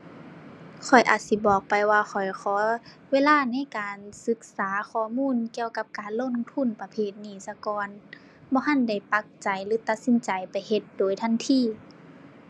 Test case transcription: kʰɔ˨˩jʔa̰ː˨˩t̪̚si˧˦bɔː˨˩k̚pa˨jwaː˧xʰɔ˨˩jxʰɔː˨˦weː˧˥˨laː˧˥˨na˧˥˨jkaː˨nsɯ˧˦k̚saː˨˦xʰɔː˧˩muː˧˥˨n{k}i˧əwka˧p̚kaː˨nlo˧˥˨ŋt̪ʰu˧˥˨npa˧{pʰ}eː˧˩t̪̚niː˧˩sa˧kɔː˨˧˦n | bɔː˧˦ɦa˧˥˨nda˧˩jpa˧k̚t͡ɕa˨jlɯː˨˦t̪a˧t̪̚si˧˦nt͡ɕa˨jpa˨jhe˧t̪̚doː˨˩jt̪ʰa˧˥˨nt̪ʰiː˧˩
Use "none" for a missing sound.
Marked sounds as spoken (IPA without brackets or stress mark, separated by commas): k, pʰ